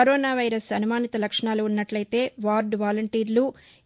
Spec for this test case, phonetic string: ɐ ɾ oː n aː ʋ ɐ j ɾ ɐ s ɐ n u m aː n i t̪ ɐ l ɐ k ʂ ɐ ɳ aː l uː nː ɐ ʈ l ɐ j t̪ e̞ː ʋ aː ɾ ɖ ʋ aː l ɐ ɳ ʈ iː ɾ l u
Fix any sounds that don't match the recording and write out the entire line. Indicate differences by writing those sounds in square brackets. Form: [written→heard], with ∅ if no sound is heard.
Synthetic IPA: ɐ ɾ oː n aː ʋ ɐ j ɾ ɐ s ɐ n u m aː n i t̪ ɐ l ɐ k ʂ ɐ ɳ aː l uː nː ɐ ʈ l ɐ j t̪ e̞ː ʋ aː ɾ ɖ ʋ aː l ɐ ɳ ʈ iː ɾ l u

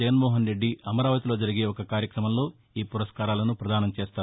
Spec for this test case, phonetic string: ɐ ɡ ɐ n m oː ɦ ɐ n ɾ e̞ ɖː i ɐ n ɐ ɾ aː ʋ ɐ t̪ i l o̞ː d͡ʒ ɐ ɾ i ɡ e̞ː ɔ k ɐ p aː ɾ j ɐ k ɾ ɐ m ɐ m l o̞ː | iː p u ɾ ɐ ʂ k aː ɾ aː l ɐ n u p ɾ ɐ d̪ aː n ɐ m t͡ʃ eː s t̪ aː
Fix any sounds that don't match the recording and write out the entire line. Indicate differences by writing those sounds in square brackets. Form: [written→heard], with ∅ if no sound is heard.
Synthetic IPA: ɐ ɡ ɐ n m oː ɦ ɐ n ɾ e̞ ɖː i ɐ [n→m] ɐ ɾ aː ʋ ɐ t̪ i l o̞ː d͡ʒ ɐ ɾ i ɡ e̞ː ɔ k ɐ [p→k] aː ɾ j ɐ k ɾ ɐ m ɐ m l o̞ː | iː p u ɾ ɐ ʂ k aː ɾ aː l ɐ n u p ɾ ɐ d̪ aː n ɐ m t͡ʃ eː s t̪ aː

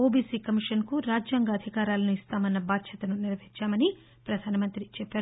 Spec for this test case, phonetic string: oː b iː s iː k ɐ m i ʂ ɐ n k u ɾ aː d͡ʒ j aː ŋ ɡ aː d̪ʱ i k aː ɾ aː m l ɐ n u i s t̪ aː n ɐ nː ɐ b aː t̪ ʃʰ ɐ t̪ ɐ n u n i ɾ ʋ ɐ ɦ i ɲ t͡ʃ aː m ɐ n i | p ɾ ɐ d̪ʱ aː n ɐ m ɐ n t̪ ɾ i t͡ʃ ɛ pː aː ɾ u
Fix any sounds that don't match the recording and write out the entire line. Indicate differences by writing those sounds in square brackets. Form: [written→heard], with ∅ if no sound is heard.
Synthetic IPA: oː b iː s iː k ɐ m i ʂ ɐ n k u ɾ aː d͡ʒ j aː ŋ ɡ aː d̪ʱ i k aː ɾ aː [m→∅] l ɐ n u i s t̪ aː [n→m] ɐ nː ɐ b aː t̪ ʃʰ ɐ t̪ ɐ n u n i ɾ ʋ ɐ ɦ i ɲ t͡ʃ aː m ɐ n i | p ɾ ɐ d̪ʱ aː n ɐ m ɐ n t̪ ɾ i t͡ʃ ɛ pː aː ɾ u

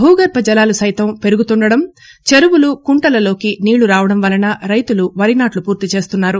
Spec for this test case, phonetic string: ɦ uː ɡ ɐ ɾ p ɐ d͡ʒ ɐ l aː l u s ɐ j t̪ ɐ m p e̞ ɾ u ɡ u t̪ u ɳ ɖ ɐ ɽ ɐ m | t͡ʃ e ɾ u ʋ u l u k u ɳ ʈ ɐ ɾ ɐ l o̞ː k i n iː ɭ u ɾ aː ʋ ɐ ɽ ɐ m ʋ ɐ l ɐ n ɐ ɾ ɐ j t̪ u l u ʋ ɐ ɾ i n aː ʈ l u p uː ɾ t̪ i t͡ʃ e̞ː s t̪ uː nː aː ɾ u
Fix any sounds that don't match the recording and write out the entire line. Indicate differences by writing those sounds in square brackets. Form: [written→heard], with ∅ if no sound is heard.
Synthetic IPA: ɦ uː ɡ ɐ ɾ p ɐ d͡ʒ ɐ l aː l u s ɐ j t̪ ɐ m p e̞ ɾ u ɡ u t̪ u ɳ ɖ ɐ ɽ ɐ m | t͡ʃ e ɾ u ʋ u l u k u ɳ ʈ ɐ [ɾ→l] ɐ l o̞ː k i n iː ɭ u ɾ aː ʋ ɐ ɽ ɐ m ʋ ɐ l ɐ n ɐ ɾ ɐ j t̪ u l u ʋ ɐ ɾ i n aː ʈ l u p uː ɾ t̪ i t͡ʃ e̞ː s t̪ [uː→u] nː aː ɾ u

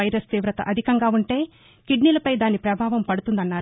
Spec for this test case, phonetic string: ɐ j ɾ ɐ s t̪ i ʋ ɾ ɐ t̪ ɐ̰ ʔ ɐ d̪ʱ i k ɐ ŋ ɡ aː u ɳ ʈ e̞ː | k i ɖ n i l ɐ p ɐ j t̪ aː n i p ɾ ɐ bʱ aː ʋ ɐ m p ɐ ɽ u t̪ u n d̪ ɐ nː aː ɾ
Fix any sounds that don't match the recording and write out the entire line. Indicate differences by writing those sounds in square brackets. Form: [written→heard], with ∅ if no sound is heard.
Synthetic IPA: ɐ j ɾ ɐ s t̪ [i→iː] ʋ ɾ ɐ t̪ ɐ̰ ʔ ɐ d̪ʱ i k ɐ ŋ ɡ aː u ɳ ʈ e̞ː | k i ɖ n i l ɐ p ɐ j [t̪→d̪] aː n i p ɾ ɐ bʱ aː ʋ ɐ m p ɐ ɽ u t̪ u n d̪ ɐ nː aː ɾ

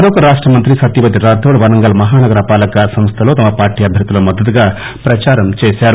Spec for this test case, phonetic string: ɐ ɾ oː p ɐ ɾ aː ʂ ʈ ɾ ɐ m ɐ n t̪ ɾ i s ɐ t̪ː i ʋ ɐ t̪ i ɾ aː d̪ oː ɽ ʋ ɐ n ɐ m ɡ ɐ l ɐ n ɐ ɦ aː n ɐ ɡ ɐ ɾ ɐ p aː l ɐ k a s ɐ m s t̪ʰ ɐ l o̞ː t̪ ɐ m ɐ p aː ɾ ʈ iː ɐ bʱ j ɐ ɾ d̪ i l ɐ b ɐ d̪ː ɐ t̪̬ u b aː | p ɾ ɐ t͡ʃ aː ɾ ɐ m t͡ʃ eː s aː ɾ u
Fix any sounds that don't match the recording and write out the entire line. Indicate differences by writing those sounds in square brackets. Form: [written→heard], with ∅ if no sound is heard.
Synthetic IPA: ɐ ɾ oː [p→k] ɐ ɾ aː ʂ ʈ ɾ ɐ m ɐ n t̪ ɾ i s ɐ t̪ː i ʋ ɐ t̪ i ɾ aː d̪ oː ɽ ʋ ɐ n ɐ [m→ŋ] ɡ ɐ l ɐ [n→m] ɐ ɦ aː n ɐ ɡ ɐ ɾ ɐ p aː l ɐ k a s ɐ m s t̪ʰ ɐ l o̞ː t̪ ɐ m ɐ p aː ɾ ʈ iː ɐ bʱ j ɐ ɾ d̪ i l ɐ [b→m] ɐ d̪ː ɐ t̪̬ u [b→ɡ] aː | p ɾ ɐ t͡ʃ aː ɾ ɐ m t͡ʃ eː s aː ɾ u

